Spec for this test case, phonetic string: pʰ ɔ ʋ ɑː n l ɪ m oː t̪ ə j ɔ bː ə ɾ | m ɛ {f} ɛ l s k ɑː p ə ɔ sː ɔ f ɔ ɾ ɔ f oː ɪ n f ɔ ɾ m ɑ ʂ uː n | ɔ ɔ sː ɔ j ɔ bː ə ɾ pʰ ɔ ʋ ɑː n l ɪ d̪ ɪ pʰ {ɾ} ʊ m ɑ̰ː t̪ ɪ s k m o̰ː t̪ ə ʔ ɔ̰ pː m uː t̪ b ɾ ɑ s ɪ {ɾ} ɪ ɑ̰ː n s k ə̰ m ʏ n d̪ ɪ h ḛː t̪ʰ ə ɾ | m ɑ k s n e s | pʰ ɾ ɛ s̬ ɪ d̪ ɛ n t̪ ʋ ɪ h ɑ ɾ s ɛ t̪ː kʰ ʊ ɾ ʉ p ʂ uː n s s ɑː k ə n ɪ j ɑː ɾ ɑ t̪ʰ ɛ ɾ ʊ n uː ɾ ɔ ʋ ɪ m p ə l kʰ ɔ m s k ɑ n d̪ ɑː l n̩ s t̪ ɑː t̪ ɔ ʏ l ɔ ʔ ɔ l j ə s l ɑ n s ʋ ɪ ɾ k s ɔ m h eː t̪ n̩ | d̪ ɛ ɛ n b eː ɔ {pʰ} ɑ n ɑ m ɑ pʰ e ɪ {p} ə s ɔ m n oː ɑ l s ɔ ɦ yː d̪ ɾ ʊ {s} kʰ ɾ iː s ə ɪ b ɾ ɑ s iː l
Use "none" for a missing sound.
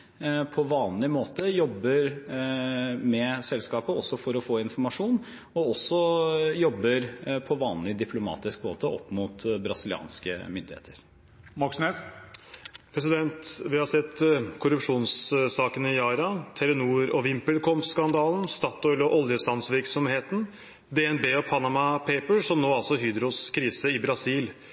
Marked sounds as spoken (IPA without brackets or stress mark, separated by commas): s, l, l, pʰ, p, s